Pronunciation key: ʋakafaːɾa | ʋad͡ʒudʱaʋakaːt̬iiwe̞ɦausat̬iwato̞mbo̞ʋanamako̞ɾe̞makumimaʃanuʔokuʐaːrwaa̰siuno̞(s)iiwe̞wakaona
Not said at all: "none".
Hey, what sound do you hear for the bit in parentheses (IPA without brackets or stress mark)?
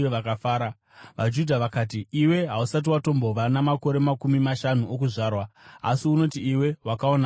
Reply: t